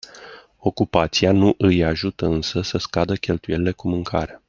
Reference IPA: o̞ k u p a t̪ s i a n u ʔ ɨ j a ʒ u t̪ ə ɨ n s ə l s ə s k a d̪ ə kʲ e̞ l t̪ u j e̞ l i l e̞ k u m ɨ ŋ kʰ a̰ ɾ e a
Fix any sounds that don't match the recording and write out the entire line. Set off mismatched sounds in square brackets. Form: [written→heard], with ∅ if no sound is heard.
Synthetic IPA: o̞ k u p a t̪ s i a n u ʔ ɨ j a ʒ u t̪ ə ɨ n s ə [l→∅] s ə s k a d̪ ə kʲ e̞ l t̪ u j e̞ l i l e̞ k u m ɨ ŋ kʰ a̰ ɾ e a